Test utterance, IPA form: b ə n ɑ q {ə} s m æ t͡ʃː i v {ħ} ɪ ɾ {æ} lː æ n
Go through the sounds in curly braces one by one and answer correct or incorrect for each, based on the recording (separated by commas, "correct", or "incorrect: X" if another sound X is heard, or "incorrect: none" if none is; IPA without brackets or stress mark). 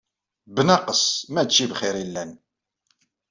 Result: correct, incorrect: χ, incorrect: i